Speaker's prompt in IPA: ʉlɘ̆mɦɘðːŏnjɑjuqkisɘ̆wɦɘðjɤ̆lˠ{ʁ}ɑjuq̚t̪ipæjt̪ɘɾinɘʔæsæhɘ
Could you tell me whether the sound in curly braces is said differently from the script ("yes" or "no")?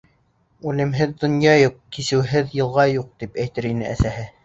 no